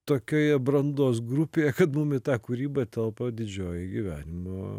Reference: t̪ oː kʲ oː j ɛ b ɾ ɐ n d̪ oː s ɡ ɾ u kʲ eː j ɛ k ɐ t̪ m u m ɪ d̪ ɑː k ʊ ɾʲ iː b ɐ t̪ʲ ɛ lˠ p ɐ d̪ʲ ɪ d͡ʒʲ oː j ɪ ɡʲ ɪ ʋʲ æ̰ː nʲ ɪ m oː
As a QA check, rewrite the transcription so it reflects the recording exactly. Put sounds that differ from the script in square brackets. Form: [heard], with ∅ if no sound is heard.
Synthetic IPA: t̪ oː kʲ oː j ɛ b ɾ ɐ n d̪ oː s ɡ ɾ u [pʲ] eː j ɛ k ɐ t̪ m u m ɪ [t̪] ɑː k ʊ ɾʲ iː b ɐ t̪ʲ ɛ lˠ p ɐ d̪ʲ ɪ d͡ʒʲ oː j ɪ ɡʲ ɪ ʋʲ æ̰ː nʲ ɪ m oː

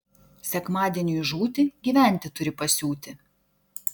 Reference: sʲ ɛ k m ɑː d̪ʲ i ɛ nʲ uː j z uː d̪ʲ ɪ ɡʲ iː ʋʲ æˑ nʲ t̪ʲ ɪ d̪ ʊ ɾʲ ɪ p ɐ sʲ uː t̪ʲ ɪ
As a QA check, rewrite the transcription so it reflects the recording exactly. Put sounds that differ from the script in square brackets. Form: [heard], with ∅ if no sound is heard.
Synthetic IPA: sʲ ɛ k m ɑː d̪ʲ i ɛ nʲ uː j [ʒ] uː [t̪ʲ] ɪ ɡʲ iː ʋʲ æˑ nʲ t̪ʲ ɪ [t̪] ʊ ɾʲ ɪ p ɐ sʲ uː t̪ʲ ɪ

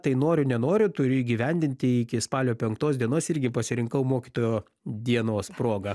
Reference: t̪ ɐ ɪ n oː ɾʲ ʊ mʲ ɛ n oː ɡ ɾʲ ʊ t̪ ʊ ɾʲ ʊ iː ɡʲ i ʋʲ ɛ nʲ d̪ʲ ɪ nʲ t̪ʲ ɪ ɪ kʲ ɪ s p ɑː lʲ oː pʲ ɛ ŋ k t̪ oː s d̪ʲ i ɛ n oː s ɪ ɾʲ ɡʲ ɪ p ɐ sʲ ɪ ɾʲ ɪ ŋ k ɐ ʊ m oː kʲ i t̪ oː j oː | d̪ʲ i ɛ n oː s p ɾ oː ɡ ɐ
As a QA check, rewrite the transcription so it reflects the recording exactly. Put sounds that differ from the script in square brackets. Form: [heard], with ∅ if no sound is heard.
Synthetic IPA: t̪ ɐ ɪ n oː ɾʲ ʊ [nʲ] ɛ n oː [∅] ɾʲ ʊ t̪ ʊ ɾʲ ʊ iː ɡʲ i ʋʲ ɛ nʲ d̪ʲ ɪ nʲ t̪ʲ ɪ ɪ kʲ ɪ s p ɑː lʲ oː pʲ ɛ ŋ k t̪ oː s d̪ʲ i ɛ n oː s ɪ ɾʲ ɡʲ ɪ p ɐ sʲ ɪ ɾʲ ɪ ŋ k ɐ ʊ m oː kʲ i t̪ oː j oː | d̪ʲ i ɛ n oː s p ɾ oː ɡ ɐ

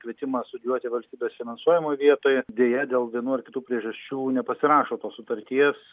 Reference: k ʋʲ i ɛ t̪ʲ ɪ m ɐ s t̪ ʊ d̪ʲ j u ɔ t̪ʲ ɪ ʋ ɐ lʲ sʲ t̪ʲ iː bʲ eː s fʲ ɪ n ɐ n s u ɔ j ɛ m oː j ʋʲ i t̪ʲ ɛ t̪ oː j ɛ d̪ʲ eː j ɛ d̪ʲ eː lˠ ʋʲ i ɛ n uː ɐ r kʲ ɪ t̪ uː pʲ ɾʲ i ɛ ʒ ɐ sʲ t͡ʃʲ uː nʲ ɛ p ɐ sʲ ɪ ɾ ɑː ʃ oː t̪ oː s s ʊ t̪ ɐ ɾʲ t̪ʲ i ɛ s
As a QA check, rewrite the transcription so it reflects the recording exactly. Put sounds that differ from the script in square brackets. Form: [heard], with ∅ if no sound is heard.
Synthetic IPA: k ʋʲ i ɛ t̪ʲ ɪ m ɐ s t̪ ʊ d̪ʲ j u ɔ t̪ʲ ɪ ʋ ɐ lʲ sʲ t̪ʲ iː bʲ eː s fʲ ɪ n ɐ n s u ɔ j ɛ m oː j ʋʲ i [∅] ɛ t̪ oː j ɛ d̪ʲ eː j ɛ d̪ʲ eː lˠ ʋʲ i ɛ n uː ɐ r kʲ ɪ t̪ uː pʲ ɾʲ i ɛ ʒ ɐ sʲ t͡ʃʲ uː nʲ ɛ p ɐ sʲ ɪ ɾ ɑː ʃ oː t̪ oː s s ʊ t̪ ɐ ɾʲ t̪ʲ i ɛ s

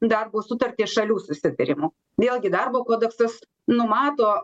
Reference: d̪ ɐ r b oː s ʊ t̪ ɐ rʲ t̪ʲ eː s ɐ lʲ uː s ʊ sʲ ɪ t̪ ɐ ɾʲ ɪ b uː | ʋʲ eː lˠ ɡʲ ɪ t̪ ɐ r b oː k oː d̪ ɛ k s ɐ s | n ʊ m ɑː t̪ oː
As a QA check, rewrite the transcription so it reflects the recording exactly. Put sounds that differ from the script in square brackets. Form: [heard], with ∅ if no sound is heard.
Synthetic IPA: d̪ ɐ r b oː s ʊ t̪ ɐ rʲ t̪ʲ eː [ʃ] ɐ lʲ uː s ʊ sʲ ɪ t̪ ɐ ɾʲ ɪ [m] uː | ʋʲ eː lˠ ɡʲ ɪ [d̪] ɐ r b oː k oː d̪ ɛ k s ɐ s | n ʊ m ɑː t̪ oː

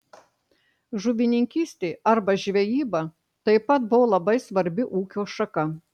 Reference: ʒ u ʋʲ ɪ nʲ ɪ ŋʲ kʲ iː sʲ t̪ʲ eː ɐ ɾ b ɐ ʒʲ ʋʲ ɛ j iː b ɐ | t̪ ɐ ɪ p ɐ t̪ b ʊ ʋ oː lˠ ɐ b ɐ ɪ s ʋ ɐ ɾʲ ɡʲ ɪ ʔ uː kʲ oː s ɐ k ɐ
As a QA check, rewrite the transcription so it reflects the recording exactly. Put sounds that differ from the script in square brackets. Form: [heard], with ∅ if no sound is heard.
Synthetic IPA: ʒ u ʋʲ ɪ nʲ ɪ ŋʲ kʲ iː sʲ t̪ʲ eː ɐ ɾ b ɐ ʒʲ ʋʲ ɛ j iː b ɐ | t̪ ɐ ɪ p ɐ t̪ b ʊ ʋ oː lˠ ɐ b ɐ ɪ s ʋ ɐ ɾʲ [bʲ] ɪ ʔ uː kʲ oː [ʃ] ɐ k ɐ

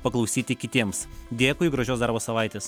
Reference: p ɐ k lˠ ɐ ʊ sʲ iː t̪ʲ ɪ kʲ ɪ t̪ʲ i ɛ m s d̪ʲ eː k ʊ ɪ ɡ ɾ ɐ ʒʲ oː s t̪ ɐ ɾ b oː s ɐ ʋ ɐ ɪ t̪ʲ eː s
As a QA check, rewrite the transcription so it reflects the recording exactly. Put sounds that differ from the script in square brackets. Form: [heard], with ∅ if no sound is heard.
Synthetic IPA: p ɐ k lˠ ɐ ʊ sʲ iː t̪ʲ ɪ kʲ ɪ t̪ʲ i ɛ m s d̪ʲ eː k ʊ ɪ ɡ ɾ ɐ ʒʲ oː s [d̪] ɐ ɾ b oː s ɐ ʋ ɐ ɪ t̪ʲ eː s

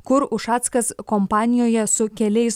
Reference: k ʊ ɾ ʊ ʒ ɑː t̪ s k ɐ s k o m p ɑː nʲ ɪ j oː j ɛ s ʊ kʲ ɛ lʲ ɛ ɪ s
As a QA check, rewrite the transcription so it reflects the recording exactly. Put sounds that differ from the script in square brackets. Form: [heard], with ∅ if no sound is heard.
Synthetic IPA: k ʊ ɾ ʊ [ʃ] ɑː t̪ s k ɐ s k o m p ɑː nʲ ɪ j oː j ɛ s ʊ kʲ ɛ lʲ ɛ ɪ s

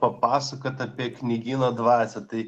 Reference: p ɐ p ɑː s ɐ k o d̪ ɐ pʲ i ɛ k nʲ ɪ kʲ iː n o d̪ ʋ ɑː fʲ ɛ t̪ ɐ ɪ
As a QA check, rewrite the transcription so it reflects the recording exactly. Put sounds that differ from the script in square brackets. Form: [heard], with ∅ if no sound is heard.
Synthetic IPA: p ɐ p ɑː s ɐ k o [t̪] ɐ pʲ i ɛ k nʲ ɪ [ɡʲ] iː n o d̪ ʋ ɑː [sʲ] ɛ t̪ ɐ ɪ

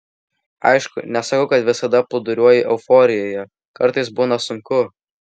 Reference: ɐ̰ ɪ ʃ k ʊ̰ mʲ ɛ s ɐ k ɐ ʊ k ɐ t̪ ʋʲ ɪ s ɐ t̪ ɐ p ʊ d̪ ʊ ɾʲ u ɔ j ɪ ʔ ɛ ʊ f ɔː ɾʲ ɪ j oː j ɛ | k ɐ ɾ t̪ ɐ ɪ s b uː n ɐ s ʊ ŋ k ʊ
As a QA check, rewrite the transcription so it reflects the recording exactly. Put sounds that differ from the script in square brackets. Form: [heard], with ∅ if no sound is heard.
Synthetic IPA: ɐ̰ ɪ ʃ k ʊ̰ [nʲ] ɛ s ɐ k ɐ ʊ k ɐ t̪ ʋʲ ɪ s ɐ [d̪] ɐ p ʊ d̪ ʊ ɾʲ u ɔ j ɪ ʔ ɛ ʊ f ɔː ɾʲ ɪ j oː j ɛ | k ɐ ɾ t̪ ɐ ɪ s b uː n ɐ s ʊ ŋ k ʊ

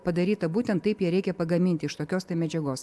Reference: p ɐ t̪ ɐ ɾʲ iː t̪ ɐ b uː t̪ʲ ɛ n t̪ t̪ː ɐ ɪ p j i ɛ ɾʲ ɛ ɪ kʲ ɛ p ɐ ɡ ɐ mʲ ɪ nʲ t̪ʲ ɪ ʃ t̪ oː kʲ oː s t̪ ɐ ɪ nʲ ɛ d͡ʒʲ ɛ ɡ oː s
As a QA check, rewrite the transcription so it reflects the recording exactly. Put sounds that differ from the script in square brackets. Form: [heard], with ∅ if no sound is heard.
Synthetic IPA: p ɐ [d̪] ɐ ɾʲ iː t̪ ɐ b uː t̪ʲ ɛ n t̪ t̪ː ɐ ɪ p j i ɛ ɾʲ ɛ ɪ kʲ ɛ p ɐ ɡ ɐ mʲ ɪ nʲ t̪ʲ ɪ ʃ t̪ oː kʲ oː s t̪ ɐ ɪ [mʲ] ɛ d͡ʒʲ ɛ ɡ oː s

